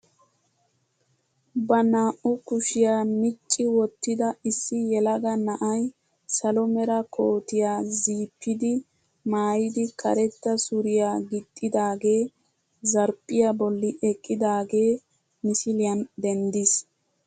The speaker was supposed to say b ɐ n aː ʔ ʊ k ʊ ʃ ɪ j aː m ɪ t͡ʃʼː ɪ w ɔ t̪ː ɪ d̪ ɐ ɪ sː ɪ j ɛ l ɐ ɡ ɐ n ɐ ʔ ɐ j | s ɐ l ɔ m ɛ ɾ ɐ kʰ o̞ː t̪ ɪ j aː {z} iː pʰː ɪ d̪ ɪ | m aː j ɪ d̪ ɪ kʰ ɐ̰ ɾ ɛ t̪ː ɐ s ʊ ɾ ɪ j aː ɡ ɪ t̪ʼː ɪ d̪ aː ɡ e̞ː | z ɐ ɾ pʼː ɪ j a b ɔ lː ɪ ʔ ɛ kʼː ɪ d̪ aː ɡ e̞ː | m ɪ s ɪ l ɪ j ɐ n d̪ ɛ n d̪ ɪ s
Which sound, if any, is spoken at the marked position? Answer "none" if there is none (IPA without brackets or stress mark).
z